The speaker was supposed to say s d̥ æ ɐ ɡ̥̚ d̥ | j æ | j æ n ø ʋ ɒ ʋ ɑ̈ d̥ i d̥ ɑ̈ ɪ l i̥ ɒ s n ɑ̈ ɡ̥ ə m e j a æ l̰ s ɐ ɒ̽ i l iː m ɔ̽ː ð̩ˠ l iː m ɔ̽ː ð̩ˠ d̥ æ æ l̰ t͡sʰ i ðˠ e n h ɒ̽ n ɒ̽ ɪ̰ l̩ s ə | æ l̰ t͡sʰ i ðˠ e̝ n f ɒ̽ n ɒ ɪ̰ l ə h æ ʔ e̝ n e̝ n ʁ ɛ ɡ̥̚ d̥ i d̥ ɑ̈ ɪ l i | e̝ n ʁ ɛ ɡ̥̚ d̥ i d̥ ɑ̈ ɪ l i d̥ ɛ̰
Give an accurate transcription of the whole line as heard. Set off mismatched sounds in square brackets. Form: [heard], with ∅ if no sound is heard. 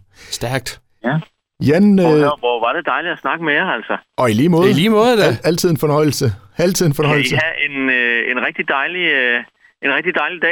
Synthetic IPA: s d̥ æ ɐ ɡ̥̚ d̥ | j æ | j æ n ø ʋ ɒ ʋ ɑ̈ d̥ [e] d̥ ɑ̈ ɪ l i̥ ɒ s n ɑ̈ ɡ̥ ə m e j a æ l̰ s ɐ ɒ̽ i l iː m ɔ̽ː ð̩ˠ l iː m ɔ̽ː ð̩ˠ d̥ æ æ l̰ t͡sʰ i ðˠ e n [f] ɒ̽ n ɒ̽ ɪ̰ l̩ s ə | æ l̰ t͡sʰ i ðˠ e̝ n f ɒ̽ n ɒ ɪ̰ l ə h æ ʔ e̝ n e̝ n ʁ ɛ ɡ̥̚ d̥ i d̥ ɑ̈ ɪ l i | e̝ n ʁ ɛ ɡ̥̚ d̥ i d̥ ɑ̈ ɪ l i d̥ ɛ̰